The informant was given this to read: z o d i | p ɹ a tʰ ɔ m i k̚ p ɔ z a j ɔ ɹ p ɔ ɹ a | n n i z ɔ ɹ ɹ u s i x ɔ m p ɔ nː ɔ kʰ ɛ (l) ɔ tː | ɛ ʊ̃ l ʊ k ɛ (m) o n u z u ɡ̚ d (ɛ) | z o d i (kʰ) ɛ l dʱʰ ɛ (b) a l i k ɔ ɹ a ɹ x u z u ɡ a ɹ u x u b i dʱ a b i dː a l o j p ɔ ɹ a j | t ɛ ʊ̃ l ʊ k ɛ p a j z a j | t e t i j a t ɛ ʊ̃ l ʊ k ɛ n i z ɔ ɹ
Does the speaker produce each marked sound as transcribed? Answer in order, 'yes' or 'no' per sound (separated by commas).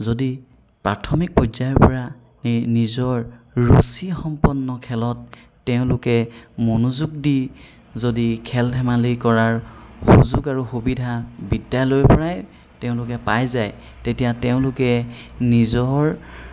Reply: yes, yes, no, yes, no